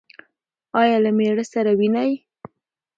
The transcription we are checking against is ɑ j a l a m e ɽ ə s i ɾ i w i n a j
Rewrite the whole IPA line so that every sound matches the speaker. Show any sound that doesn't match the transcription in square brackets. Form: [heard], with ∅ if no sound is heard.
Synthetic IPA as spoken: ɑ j [ɑ] l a m e ɽ ə s [a] ɾ [a] w i n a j